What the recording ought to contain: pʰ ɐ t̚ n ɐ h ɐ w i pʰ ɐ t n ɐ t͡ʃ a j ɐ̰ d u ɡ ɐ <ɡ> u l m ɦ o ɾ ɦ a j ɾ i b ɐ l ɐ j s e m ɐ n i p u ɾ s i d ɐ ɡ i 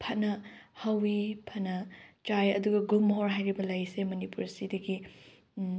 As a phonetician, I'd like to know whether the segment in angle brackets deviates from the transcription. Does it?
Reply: no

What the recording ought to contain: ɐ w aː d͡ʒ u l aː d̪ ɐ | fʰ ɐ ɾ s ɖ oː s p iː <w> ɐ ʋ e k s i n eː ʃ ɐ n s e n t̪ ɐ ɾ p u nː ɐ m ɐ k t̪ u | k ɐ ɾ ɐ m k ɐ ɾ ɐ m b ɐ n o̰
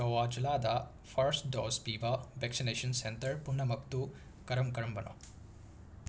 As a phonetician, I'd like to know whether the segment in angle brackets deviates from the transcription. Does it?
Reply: yes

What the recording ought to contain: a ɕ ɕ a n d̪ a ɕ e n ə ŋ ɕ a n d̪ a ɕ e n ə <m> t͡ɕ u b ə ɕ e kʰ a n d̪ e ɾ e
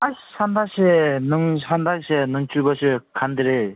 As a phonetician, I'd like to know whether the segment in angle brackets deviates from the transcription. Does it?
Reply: yes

